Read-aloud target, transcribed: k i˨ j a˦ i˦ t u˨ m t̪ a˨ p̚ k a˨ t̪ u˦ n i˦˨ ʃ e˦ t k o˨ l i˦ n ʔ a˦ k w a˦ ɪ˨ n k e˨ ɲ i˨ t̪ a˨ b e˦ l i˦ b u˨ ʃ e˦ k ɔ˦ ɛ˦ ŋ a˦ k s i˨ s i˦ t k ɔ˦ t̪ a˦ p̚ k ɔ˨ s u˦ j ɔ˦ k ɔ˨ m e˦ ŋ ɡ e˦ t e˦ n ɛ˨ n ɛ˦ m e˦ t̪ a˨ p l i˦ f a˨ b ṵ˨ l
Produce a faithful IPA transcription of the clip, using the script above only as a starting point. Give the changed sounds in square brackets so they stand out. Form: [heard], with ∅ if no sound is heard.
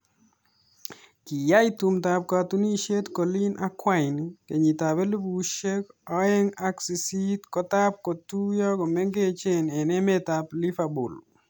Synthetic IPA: k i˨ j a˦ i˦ t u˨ m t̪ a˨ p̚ k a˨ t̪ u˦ n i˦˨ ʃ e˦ t k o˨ l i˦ n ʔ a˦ k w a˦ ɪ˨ n k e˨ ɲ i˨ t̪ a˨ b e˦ l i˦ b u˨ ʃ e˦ k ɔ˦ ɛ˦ ŋ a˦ k s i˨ s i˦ t k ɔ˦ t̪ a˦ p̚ k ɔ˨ [t] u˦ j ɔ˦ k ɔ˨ m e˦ ŋ ɡ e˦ [t͡ʃ] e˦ n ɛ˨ n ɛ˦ m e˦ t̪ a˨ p l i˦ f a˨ b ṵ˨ l